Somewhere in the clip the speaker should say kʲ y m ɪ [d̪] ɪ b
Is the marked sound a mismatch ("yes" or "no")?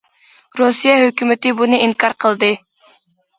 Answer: yes